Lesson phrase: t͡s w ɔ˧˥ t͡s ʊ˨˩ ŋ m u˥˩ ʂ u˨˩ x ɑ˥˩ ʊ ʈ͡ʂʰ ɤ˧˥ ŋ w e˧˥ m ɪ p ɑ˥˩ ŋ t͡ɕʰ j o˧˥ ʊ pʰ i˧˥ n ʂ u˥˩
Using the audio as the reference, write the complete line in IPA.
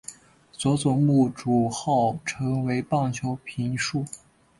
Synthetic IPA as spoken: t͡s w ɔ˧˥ t͡s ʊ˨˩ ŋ m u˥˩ ʈ͡ʂ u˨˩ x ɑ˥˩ ʊ ʈ͡ʂʰ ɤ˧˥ ŋ w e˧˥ ɪ p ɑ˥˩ ŋ t͡ɕʰ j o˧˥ ʊ pʰ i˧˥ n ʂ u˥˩